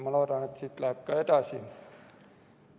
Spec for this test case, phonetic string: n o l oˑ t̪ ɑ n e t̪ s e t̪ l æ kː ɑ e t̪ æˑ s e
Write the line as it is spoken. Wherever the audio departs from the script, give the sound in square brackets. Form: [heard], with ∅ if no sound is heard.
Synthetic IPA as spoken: [m] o l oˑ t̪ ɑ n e t̪ s [i] t̪ l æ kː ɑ e t̪ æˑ s [i]